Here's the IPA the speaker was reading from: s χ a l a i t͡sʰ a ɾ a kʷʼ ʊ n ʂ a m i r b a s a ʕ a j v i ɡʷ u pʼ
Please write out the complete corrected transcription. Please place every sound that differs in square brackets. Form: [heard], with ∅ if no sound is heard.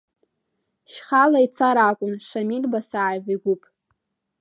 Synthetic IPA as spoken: [ʃ] χ a l a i t͡sʰ a ɾ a kʷʼ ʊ n ʂ a m i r b a s a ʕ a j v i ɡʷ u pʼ